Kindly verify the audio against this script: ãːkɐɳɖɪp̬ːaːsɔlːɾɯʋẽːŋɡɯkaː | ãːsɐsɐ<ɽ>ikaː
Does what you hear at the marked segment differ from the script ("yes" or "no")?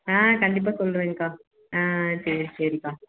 yes